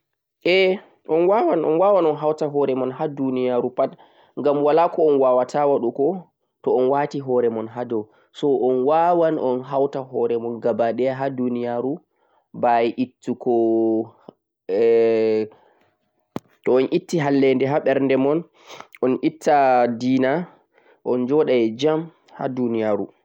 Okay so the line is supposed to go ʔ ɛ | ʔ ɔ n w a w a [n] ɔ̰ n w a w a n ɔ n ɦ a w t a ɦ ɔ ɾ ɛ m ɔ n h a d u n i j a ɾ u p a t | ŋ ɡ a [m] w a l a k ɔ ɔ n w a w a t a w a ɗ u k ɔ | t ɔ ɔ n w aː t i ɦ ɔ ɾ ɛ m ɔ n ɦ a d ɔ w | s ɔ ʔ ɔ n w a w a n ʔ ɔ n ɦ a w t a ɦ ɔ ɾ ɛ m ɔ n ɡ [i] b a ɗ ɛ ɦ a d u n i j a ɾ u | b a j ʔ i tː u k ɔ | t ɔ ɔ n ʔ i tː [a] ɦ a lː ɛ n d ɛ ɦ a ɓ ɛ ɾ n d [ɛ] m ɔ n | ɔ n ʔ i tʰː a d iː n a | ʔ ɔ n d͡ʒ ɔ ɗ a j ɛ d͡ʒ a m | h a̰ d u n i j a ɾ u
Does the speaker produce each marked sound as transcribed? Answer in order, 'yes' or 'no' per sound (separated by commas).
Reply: yes, yes, no, no, yes